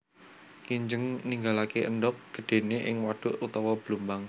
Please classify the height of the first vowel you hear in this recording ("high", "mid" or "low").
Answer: high